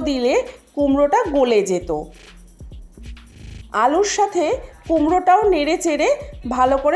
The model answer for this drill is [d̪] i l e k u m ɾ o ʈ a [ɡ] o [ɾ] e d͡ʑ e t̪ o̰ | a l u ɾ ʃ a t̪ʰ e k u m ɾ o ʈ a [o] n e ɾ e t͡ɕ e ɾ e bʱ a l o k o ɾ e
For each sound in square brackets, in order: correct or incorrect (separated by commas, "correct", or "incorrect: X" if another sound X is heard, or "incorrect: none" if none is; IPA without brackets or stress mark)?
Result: correct, correct, incorrect: l, correct